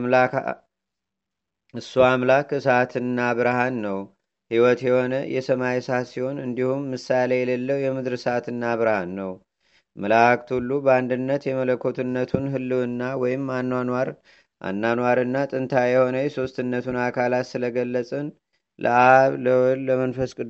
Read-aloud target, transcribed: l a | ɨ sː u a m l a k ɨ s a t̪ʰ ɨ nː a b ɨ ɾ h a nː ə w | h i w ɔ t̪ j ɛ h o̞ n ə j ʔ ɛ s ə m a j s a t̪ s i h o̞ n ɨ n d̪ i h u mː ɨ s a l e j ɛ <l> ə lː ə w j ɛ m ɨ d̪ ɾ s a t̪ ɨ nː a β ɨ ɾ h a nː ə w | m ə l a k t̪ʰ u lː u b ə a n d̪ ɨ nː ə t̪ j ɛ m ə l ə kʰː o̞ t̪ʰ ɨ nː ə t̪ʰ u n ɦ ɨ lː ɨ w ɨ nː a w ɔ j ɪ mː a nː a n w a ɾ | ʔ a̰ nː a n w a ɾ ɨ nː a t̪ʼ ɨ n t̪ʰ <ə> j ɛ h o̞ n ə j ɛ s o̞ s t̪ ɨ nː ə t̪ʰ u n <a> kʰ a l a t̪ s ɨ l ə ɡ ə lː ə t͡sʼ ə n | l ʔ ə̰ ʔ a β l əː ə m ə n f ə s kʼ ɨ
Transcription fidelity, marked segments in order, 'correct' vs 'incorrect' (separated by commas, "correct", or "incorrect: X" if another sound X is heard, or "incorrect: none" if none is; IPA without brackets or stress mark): correct, incorrect: a, correct